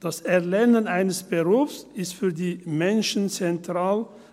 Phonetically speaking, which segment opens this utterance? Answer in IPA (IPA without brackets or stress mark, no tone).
d̥